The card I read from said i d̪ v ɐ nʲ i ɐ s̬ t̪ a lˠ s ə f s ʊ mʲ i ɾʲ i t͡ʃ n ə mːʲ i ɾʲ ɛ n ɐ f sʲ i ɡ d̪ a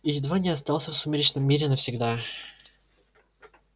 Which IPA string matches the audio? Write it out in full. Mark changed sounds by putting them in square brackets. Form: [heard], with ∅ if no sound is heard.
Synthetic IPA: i d̪ v [a] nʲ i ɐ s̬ t̪ a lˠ s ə f s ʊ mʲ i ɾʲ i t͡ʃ n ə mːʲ i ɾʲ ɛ n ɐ f sʲ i ɡ d̪ a